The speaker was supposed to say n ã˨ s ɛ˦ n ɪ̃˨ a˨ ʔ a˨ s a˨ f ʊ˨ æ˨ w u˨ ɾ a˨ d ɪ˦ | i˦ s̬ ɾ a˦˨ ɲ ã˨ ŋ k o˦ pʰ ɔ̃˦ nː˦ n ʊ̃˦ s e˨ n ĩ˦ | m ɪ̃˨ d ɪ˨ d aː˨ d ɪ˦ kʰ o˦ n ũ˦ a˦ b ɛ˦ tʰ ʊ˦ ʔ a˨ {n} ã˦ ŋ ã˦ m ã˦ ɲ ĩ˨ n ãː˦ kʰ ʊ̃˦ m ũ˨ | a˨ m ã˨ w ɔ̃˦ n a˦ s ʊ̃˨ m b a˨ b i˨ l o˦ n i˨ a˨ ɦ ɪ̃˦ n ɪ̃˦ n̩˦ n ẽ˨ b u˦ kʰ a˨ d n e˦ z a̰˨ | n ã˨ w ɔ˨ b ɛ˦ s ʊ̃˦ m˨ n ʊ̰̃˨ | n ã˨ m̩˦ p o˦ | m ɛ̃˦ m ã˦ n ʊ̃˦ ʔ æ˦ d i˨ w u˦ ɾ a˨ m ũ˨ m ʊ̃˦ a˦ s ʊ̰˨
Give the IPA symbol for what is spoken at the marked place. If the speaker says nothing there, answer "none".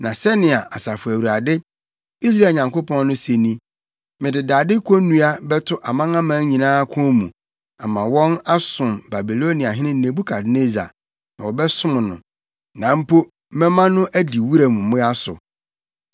m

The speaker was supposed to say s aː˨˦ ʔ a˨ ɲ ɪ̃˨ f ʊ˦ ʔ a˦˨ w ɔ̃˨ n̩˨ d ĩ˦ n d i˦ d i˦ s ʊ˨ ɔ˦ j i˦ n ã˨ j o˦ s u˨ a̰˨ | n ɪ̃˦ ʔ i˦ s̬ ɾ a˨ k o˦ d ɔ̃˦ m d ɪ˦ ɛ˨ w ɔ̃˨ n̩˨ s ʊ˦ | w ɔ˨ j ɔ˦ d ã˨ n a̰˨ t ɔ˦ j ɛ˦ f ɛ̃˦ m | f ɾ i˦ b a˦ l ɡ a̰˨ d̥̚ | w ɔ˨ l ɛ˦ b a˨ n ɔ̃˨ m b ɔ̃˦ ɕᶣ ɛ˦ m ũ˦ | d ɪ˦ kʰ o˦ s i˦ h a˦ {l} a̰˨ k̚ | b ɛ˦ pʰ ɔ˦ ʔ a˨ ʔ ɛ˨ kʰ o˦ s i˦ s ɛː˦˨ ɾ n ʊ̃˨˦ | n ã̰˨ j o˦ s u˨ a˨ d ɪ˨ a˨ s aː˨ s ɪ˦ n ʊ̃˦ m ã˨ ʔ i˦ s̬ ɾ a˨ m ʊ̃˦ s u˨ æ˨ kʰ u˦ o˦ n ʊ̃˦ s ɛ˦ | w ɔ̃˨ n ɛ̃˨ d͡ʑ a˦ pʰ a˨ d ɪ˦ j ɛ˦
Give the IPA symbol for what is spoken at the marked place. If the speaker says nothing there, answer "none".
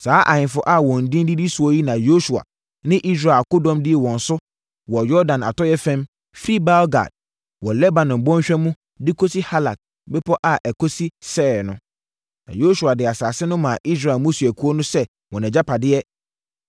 l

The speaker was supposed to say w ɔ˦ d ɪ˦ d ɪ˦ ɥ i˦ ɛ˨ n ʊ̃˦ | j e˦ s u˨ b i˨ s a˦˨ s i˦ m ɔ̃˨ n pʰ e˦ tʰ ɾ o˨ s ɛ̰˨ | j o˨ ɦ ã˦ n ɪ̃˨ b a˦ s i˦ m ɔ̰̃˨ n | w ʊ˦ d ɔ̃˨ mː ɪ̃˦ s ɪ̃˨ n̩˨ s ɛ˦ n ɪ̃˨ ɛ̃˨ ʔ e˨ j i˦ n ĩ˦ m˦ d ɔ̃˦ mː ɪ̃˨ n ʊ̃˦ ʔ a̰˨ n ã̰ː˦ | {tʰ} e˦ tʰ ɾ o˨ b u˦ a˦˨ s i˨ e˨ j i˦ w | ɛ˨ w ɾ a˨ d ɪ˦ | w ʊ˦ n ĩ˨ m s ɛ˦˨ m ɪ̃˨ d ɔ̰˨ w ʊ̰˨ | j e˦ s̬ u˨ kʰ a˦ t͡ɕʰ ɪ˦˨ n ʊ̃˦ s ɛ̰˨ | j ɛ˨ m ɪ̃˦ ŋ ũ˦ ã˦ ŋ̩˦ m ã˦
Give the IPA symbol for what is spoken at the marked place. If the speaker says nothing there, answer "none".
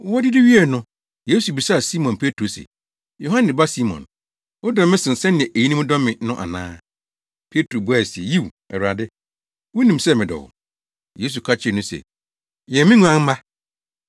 pʰ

